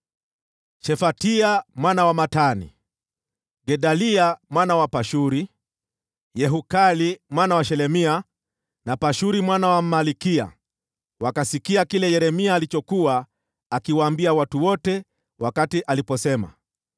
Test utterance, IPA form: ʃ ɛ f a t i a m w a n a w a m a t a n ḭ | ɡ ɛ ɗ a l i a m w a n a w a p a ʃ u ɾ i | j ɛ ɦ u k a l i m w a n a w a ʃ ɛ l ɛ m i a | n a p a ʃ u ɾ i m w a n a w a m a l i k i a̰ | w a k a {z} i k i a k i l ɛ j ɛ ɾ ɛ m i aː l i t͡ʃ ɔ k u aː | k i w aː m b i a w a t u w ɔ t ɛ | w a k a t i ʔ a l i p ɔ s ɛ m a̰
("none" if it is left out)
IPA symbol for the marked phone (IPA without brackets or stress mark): s